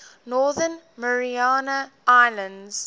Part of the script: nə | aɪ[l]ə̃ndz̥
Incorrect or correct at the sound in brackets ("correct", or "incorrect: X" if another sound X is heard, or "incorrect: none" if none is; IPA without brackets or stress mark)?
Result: correct